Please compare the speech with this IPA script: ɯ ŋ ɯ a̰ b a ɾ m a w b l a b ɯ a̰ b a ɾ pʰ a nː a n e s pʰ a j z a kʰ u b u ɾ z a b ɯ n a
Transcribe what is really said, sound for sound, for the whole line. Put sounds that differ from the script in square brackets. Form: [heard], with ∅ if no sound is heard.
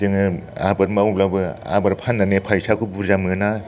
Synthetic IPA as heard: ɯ ŋ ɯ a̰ b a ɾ m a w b l a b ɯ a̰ b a ɾ pʰ a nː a n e [∅] pʰ a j [s] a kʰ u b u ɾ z a [m] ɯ n a